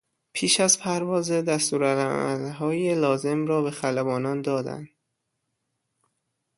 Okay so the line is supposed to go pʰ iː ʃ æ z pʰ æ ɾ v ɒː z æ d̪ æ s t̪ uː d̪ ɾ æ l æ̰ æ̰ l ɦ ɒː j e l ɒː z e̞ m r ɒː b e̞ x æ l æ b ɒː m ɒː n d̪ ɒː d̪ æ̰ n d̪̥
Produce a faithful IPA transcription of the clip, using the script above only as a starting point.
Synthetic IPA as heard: pʰ iː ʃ æ z pʰ æ ɾ v ɒː z e d̪ æ s t̪ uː ɾ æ l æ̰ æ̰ l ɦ ɒː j e l ɒː z e̞ m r ɒː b e̞ x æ l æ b ɒː n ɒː n d̪ ɒː d̪ æ̰ n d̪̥